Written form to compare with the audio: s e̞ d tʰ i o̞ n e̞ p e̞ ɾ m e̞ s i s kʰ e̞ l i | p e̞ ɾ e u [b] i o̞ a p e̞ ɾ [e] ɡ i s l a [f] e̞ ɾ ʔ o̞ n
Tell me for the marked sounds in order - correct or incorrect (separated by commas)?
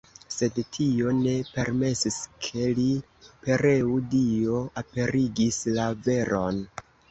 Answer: incorrect, incorrect, incorrect